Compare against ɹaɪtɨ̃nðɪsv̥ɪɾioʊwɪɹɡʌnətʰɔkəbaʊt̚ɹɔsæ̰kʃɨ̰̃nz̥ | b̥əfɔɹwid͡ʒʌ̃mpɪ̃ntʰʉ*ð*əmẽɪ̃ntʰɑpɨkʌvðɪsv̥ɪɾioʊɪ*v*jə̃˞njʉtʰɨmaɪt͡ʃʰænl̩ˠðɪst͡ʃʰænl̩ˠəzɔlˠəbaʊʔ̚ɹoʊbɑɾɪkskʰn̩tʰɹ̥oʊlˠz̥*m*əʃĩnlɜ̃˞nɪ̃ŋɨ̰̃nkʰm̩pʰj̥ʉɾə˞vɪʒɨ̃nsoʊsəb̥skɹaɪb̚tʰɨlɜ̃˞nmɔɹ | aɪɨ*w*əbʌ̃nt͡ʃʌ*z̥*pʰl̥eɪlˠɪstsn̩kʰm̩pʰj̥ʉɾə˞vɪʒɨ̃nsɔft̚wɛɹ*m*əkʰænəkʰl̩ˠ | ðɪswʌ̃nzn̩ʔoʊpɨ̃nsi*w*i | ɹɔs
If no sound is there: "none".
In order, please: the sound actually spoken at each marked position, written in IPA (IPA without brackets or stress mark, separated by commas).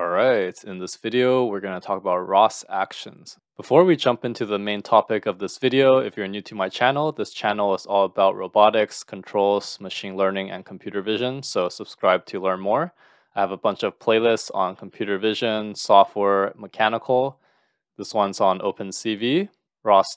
ð, f, m, v, v̥, m, v